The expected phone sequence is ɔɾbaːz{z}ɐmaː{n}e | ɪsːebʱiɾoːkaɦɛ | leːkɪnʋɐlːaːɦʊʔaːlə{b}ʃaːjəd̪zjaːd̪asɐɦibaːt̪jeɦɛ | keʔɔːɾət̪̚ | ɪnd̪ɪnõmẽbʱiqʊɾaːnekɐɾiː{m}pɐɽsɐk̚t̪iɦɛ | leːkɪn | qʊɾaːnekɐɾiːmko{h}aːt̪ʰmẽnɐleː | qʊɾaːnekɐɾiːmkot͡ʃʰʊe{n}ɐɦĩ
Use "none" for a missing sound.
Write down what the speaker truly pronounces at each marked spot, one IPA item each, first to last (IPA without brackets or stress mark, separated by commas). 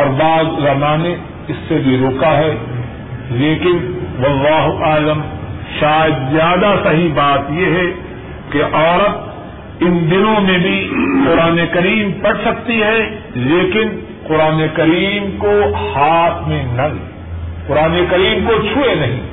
z, n, m, m, h, n